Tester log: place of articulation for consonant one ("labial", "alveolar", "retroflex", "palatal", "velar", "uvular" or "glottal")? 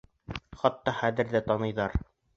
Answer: uvular